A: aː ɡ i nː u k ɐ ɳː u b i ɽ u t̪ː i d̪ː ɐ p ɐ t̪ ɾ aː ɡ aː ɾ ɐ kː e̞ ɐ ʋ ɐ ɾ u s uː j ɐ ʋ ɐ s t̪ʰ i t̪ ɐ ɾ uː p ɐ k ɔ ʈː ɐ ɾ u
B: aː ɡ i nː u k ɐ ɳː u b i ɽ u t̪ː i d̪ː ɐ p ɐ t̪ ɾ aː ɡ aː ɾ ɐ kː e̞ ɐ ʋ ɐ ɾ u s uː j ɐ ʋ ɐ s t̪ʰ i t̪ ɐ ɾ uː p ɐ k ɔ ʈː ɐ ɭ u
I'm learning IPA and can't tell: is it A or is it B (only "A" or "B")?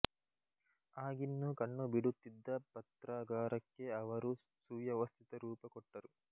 A